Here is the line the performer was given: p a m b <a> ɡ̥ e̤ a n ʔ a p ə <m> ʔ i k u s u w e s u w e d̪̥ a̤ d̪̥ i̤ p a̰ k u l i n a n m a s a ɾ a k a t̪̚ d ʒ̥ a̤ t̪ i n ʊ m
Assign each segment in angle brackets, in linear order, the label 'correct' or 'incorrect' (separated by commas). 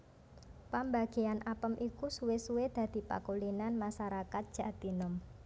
correct, correct